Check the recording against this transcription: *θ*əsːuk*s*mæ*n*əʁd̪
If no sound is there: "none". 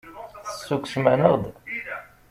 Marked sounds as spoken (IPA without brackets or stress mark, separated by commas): θ, s, n